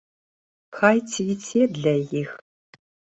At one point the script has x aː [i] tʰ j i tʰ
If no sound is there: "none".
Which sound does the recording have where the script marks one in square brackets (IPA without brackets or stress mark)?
j